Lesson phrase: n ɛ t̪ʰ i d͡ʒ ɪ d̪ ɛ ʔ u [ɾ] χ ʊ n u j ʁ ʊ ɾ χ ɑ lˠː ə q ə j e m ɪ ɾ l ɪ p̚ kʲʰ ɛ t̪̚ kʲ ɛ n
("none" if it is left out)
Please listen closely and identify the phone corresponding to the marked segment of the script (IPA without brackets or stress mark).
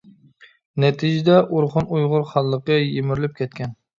ɾ